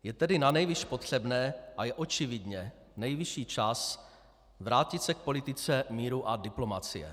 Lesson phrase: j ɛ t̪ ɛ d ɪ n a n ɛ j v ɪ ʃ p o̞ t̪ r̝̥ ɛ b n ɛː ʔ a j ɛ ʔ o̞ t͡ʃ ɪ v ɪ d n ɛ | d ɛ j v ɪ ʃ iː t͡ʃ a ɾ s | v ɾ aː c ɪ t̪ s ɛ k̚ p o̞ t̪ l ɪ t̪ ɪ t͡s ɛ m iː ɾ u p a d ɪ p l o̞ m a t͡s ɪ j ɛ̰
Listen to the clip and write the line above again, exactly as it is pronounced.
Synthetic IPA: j ɛ t̪ ɛ d ɪ n a n ɛ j v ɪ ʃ p o̞ t̪ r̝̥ ɛ b n ɛː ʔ a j ɛ ʔ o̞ t͡ʃ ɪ v ɪ d ɲ ɛ | n ɛ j v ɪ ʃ iː t͡ʃ a s | v ɾ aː c ɪ t̪ s ɛ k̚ p o̞ l ɪ t̪ ɪ t͡s ɛ m iː ɾ u ʔ a d ɪ p l o̞ m a t͡s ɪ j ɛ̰